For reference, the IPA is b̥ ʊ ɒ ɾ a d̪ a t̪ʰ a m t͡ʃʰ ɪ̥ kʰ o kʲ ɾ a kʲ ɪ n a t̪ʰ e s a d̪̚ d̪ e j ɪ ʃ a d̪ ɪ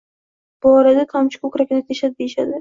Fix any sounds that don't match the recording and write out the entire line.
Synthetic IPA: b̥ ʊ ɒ ɾ a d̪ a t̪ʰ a m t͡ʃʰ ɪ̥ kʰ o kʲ ɾ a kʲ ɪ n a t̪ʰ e ʃ a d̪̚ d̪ e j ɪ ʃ a d̪ ɪ